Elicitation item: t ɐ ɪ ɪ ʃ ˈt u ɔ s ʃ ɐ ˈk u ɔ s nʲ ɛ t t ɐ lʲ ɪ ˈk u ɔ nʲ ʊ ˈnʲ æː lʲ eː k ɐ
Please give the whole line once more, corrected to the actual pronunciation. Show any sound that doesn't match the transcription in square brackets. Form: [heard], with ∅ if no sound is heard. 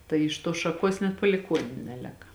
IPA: t ɐ ɪ ɪ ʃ ˈt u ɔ s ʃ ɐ ˈk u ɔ s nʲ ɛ t [p] ɐ lʲ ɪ ˈk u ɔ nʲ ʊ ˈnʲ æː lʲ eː k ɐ